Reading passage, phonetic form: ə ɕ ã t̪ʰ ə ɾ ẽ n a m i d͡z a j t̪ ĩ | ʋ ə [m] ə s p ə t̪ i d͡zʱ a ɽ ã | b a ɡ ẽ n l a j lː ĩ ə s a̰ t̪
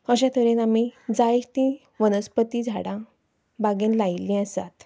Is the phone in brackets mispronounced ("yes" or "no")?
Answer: yes